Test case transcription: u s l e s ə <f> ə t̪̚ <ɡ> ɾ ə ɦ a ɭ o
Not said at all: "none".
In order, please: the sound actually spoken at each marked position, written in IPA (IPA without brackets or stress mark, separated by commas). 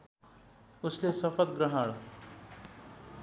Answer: f, ɡ